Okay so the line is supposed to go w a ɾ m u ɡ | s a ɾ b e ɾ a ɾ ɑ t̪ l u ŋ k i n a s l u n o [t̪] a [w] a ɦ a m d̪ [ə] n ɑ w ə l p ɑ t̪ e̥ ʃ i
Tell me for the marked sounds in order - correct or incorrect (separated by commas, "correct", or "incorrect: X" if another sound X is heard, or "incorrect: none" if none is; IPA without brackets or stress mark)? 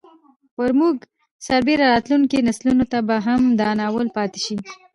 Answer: correct, incorrect: b, incorrect: ɑ